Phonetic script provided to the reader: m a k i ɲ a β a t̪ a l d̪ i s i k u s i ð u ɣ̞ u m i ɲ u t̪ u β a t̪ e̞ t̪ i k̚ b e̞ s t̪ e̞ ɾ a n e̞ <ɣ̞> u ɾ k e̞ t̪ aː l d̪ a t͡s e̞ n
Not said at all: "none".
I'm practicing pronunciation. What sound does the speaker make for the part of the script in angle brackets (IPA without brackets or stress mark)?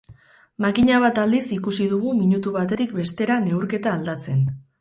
none